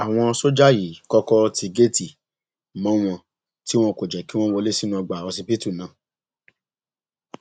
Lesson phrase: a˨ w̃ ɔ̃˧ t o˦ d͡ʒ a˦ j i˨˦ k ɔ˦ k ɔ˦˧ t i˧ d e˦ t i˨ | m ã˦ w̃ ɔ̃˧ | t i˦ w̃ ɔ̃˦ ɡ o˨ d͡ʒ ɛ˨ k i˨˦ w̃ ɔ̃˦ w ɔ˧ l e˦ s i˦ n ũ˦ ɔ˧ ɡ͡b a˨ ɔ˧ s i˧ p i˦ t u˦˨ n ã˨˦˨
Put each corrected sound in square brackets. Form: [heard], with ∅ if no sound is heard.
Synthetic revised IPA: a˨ w̃ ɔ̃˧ [s] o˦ d͡ʒ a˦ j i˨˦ k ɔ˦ k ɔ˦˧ t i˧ [ɡ] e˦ t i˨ | m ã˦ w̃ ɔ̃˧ | t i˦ w̃ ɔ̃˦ [k] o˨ d͡ʒ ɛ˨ k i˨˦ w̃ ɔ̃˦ w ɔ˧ l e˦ s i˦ n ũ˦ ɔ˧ ɡ͡b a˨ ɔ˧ s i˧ p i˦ t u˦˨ n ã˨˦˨